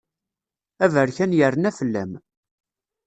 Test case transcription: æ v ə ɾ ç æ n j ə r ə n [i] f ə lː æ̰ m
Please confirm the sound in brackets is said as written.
no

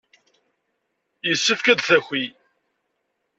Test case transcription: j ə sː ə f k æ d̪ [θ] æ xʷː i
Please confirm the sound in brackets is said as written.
yes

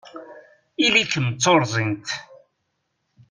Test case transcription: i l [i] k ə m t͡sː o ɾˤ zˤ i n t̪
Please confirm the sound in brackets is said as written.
yes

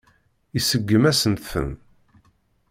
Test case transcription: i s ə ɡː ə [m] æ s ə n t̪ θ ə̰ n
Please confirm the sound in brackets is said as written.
yes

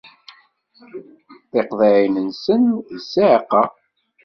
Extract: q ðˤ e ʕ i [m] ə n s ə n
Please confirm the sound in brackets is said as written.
no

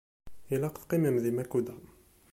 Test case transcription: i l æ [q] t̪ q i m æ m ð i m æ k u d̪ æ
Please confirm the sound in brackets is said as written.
yes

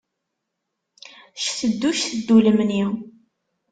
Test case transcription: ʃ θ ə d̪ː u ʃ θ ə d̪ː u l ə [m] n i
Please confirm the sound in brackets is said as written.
yes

